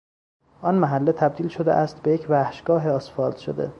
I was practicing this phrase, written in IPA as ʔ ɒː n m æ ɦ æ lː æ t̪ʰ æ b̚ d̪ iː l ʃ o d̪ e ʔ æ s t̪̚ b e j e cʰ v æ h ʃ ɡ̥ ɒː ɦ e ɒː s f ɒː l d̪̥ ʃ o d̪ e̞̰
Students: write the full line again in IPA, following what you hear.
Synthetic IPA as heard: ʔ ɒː n m æ ɦ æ lː e t̪ʰ æ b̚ d̪ iː l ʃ o d̪ e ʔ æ s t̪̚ b e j e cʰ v æ h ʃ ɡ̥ ɒː ɦ e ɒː s f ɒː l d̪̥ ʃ o d̪ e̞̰